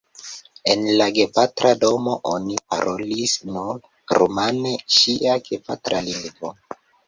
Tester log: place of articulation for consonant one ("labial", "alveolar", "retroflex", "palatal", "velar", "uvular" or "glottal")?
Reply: alveolar